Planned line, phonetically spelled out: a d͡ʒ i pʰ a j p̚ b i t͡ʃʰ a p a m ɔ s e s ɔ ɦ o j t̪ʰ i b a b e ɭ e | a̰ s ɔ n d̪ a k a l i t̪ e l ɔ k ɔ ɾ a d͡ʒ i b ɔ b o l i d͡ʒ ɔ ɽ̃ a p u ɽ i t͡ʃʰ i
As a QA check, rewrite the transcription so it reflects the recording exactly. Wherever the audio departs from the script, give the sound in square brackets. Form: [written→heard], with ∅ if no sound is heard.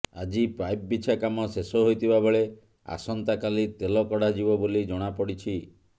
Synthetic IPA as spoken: a d͡ʒ i [pʰ→p] a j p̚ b i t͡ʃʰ a [p→k] a m ɔ s e s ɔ ɦ o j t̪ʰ i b a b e ɭ e | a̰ s ɔ n [d̪→t̪] a k a l i t̪ e l ɔ k ɔ [ɾ→ɽ] a d͡ʒ i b ɔ b o l i d͡ʒ ɔ ɽ̃ a p [u→ɔ] ɽ i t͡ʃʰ i